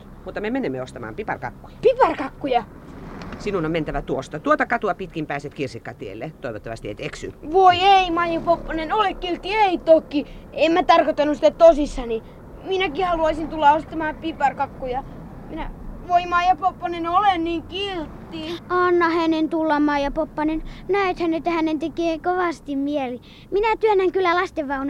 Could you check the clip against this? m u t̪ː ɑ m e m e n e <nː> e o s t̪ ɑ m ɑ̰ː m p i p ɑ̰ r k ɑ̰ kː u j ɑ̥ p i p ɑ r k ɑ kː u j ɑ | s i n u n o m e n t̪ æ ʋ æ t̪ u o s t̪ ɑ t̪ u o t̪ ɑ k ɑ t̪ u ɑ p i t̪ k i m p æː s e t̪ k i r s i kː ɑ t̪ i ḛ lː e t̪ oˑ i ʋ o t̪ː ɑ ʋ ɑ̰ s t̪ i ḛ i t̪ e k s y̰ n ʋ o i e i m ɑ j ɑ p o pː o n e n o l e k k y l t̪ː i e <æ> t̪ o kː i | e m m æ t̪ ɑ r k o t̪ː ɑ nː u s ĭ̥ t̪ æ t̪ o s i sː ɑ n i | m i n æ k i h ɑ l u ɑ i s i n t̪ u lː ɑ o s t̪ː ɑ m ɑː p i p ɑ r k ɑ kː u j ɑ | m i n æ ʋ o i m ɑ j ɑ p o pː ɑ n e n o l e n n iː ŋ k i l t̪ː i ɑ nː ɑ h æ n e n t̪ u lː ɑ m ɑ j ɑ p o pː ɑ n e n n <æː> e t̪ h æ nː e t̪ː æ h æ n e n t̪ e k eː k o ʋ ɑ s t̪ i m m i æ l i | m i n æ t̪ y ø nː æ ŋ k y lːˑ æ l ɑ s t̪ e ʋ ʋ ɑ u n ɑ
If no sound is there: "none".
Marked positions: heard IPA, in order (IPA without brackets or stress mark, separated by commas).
mː, i, æ